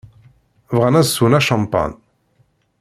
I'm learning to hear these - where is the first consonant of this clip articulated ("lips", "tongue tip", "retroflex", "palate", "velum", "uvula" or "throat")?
lips